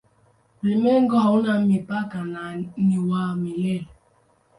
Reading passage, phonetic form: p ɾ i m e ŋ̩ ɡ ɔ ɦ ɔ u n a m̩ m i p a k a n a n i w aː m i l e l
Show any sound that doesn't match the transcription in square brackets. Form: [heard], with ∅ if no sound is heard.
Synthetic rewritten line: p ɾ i m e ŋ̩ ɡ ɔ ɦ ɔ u n a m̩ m i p a k a n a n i w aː m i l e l